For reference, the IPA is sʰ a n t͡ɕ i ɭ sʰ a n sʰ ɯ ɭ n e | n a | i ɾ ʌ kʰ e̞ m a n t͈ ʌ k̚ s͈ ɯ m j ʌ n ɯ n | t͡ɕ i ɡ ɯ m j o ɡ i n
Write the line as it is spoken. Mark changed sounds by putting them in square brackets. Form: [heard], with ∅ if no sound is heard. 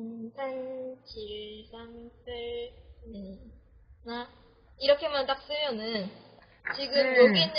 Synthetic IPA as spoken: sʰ a n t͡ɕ i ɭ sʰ a [ŋ] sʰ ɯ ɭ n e | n a | i ɾ ʌ kʰ e̞ m a n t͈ [a] k̚ s͈ ɯ m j ʌ n ɯ n | t͡ɕ i ɡ ɯ m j o ɡ i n